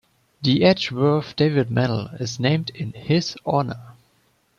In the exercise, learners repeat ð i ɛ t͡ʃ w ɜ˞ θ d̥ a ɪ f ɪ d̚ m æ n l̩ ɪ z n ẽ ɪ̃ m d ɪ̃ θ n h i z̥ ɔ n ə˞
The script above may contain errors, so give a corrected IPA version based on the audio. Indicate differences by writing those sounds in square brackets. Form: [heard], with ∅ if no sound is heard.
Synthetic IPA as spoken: ð i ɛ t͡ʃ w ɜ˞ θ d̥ [e] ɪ [v] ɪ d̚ m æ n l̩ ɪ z n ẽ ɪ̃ m d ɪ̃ [∅] n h [ɪ] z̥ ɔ n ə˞